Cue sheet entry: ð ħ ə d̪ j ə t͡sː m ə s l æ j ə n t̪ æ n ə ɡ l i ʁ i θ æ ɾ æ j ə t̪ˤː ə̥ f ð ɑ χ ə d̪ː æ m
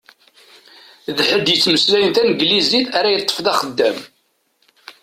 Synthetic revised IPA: ð ħ ə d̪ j ə t͡sː m ə s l æ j ə n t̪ æ n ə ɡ l i z i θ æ ɾ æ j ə t̪ˤː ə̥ f ð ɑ χ ə d̪ː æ m